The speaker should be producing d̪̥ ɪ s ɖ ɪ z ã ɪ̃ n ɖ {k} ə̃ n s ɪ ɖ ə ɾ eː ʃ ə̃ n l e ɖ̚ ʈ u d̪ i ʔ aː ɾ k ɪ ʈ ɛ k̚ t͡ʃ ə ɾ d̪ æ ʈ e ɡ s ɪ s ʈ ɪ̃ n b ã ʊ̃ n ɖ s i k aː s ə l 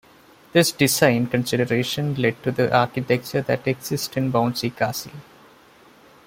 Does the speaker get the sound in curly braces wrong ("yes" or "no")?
no